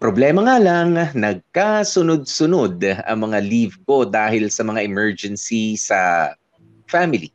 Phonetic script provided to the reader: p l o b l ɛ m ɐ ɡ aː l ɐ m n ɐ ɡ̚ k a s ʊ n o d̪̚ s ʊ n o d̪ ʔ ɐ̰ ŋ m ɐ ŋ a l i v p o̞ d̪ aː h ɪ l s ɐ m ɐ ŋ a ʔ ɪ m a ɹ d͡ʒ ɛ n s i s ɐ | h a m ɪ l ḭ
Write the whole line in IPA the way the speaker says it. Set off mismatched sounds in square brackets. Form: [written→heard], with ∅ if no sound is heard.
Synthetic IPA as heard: p [l→ɾ] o b l ɛ m ɐ [ɡ→ŋ] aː l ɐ [m→ŋ] n ɐ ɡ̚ k a s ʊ n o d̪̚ s ʊ n o d̪ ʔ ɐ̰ ŋ m ɐ ŋ a l i v [p→k] o̞ d̪ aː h ɪ l s ɐ m ɐ ŋ a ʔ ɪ m [a→ɛ] ɹ d͡ʒ ɛ n s i s ɐ | [h→f] a m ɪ l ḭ